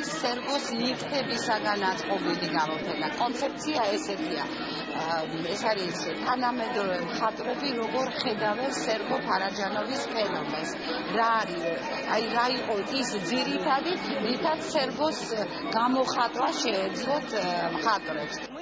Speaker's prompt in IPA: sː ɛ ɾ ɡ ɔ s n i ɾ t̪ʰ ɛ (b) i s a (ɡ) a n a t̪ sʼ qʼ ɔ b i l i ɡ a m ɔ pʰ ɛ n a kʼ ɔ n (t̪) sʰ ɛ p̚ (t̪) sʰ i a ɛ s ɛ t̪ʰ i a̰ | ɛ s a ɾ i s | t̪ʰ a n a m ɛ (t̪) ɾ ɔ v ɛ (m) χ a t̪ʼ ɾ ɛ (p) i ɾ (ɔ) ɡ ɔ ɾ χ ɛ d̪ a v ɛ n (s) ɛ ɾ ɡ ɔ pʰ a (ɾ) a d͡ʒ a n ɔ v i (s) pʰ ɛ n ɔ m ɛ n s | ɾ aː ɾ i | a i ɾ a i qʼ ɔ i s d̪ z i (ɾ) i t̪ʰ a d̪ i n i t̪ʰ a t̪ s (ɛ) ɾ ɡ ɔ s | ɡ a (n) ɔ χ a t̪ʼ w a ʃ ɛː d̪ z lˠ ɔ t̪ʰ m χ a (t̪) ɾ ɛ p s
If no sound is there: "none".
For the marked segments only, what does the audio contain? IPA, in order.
b, ɡ, t̪, t̪, d̪, m, b, ɔ, s, ɾ, s, ɾ, ɛ, m, t̪ʼ

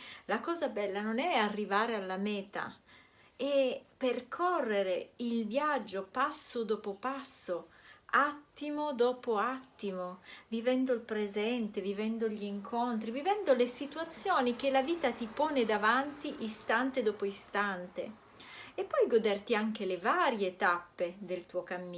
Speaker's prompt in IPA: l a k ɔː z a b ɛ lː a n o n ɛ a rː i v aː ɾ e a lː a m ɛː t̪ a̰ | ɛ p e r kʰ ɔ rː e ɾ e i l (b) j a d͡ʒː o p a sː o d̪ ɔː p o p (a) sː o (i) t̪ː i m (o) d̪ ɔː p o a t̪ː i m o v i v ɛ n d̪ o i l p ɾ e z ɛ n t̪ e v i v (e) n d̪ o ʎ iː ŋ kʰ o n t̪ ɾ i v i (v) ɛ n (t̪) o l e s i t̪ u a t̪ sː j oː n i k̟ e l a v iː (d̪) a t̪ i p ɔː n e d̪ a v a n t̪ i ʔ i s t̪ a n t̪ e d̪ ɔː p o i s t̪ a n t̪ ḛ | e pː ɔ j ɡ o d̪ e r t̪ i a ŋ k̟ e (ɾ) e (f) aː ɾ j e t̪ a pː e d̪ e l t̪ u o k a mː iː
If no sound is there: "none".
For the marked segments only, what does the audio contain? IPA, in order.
v, a, a, o, ɛ, v, d̪, t̪, l, v

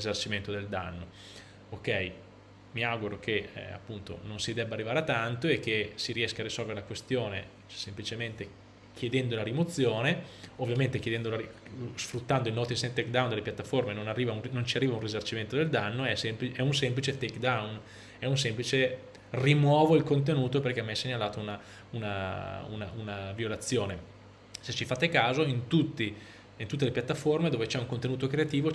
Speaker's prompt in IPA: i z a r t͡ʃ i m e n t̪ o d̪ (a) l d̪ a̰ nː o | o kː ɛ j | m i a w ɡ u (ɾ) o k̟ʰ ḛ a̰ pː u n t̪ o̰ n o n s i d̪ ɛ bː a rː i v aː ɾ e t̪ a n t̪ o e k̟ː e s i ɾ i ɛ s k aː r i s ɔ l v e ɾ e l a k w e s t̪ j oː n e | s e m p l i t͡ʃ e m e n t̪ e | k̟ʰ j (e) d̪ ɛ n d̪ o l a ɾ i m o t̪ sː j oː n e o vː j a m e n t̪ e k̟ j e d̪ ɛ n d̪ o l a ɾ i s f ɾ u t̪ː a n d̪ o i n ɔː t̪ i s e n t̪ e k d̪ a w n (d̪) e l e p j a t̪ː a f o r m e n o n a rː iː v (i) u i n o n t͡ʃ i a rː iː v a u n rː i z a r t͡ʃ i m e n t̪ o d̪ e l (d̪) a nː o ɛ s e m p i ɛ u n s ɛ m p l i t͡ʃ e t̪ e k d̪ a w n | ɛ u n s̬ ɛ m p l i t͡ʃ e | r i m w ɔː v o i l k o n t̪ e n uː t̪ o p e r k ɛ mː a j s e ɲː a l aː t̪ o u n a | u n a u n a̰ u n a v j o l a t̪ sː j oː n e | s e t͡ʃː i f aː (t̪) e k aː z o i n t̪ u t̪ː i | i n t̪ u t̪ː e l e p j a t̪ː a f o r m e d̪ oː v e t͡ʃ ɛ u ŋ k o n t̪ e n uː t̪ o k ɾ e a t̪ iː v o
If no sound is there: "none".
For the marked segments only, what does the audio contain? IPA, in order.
e, ɾ, e, d̪, a, d̪, t̪

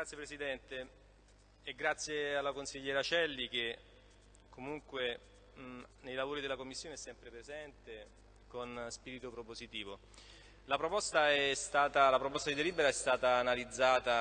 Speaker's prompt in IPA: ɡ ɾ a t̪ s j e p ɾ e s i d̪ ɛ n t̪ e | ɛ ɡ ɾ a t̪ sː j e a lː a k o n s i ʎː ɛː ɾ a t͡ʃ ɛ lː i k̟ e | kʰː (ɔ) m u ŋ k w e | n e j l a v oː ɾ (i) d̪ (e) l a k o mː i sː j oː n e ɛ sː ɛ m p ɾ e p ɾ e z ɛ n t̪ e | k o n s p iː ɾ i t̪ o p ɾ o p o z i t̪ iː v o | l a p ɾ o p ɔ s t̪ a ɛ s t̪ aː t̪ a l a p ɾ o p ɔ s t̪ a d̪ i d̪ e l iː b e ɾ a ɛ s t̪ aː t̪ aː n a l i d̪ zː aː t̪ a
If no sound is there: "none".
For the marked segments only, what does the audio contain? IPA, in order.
o, i, e

